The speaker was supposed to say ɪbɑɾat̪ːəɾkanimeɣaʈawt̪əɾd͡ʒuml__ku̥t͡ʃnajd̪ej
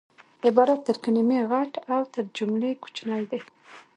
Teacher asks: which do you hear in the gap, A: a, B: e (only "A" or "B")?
B